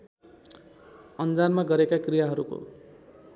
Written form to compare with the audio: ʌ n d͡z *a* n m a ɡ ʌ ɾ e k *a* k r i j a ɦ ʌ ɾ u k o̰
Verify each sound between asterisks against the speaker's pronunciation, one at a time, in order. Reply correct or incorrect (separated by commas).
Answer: correct, correct